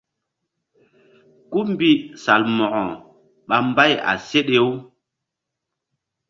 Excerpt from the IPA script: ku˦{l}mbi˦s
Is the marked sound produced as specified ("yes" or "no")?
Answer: no